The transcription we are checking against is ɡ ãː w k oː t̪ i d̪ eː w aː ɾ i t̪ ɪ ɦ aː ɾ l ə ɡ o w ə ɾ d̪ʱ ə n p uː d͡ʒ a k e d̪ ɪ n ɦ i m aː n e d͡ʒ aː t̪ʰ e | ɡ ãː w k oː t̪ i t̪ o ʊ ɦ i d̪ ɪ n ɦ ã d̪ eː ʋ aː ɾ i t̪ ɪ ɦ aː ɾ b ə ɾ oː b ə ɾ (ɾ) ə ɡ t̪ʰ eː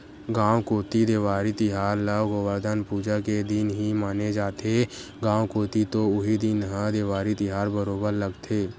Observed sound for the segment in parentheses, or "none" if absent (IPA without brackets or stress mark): l